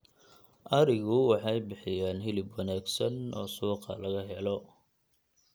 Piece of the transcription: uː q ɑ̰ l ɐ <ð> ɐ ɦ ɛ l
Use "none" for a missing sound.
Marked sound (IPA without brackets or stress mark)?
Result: ɣ